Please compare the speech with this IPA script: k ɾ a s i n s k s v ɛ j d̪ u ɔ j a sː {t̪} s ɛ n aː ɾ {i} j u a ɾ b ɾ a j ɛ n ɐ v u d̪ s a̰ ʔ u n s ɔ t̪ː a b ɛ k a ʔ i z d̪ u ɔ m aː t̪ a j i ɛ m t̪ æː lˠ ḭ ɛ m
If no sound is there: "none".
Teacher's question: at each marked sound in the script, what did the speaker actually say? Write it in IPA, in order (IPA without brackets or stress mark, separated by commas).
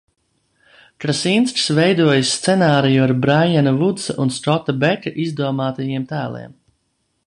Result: t̪, i